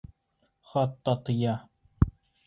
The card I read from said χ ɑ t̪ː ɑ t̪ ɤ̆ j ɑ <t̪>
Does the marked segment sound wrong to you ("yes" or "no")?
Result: yes